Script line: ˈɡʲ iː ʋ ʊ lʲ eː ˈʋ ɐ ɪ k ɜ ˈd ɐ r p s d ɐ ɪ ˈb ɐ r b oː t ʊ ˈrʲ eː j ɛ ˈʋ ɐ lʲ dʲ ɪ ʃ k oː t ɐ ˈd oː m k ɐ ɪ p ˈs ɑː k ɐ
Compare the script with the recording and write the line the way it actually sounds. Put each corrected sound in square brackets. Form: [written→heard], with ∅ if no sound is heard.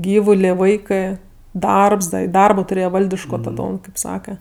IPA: ˈɡʲ iː ʋ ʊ lʲ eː ˈʋ ɐ ɪ k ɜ ˈd ɐ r p s d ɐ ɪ [ˈb→ˈd] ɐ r b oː t ʊ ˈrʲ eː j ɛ ˈʋ ɐ lʲ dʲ ɪ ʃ k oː t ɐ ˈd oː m k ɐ ɪ p ˈs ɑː k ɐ